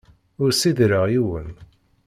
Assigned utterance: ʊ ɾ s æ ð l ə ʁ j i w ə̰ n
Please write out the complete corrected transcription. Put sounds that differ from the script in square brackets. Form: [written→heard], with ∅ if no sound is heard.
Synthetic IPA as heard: ʊ ɾ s [æ→i] ð [l→ɾ] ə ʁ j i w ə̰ n